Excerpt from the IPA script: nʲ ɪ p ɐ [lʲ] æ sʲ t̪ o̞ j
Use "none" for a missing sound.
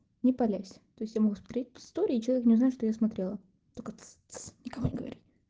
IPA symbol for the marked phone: lʲ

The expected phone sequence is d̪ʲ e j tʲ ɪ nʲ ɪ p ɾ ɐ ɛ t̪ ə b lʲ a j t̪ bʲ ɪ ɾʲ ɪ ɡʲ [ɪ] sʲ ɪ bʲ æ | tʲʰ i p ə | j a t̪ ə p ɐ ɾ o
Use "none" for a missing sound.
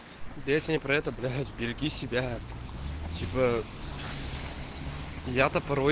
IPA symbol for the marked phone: i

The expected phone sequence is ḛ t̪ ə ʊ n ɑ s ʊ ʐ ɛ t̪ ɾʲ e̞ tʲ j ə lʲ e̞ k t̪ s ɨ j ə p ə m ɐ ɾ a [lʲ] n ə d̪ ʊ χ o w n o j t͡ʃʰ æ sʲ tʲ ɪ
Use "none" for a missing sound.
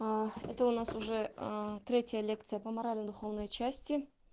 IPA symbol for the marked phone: lʲ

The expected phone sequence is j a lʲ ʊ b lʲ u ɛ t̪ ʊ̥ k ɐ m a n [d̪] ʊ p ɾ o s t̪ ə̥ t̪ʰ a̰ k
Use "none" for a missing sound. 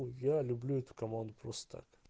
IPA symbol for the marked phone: d̪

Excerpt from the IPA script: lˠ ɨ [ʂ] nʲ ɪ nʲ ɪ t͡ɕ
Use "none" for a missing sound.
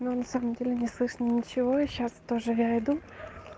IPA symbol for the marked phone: ʂ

